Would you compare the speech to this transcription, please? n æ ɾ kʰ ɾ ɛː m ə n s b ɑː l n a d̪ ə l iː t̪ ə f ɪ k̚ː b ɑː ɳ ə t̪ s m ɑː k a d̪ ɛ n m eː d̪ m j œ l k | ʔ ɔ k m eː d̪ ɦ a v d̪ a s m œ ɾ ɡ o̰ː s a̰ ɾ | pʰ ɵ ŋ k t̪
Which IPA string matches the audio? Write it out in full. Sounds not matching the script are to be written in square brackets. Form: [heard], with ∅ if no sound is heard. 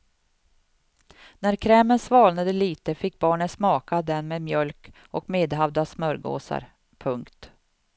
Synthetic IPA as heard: n æ ɾ kʰ ɾ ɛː m ə n s [v] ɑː l n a d̪ ə l iː t̪ ə f ɪ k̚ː b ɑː ɳ ə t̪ s m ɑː k a d̪ ɛ n m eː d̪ m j œ l k | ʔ ɔ k m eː d̪ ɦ a v d̪ a s m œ ɾ ɡ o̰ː s a̰ ɾ | pʰ ɵ ŋ k t̪